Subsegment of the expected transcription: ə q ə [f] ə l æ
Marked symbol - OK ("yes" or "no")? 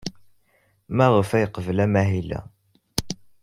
no